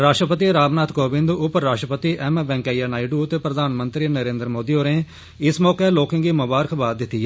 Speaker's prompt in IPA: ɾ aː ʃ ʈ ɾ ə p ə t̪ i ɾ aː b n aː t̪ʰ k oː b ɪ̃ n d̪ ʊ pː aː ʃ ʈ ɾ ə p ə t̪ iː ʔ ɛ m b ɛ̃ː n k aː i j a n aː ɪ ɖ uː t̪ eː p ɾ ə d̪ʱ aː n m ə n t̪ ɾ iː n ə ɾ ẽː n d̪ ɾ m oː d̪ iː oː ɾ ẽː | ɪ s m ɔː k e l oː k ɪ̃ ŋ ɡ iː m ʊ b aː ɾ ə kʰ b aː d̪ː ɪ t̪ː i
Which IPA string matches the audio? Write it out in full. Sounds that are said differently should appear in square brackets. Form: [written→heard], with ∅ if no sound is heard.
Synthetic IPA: ɾ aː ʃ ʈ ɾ ə p ə t̪ i ɾ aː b n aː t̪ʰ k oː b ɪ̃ n d̪ ʊ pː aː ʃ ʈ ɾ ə p ə t̪ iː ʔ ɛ m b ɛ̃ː [n→ŋ] k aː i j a n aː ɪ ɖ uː t̪ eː p ɾ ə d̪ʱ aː n m ə n t̪ ɾ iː n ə ɾ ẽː n d̪ ɾ m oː d̪ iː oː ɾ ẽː | ɪ s m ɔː k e l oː k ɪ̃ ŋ ɡ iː m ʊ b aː ɾ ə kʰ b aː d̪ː ɪ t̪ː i